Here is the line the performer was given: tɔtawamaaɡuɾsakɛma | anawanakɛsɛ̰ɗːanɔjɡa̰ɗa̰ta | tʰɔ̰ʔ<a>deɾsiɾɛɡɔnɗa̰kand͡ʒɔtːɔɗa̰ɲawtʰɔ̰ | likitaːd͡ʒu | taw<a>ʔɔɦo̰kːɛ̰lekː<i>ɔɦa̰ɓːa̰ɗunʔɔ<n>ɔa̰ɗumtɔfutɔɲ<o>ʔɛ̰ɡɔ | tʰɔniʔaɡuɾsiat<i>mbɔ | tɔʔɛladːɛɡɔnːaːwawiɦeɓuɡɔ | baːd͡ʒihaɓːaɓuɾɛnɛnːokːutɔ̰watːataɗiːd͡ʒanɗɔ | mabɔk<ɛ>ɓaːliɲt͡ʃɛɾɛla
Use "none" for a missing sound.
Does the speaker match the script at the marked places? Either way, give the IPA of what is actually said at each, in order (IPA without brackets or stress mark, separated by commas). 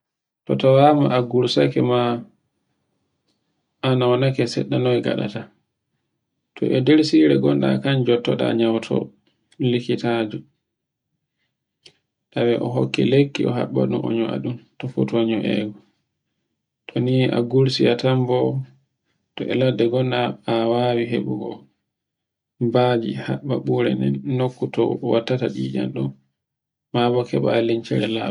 ɛ, ɛ, i, ɲ, ɔ, a, ɛ